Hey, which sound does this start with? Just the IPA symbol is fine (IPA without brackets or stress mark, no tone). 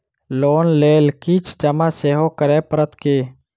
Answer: l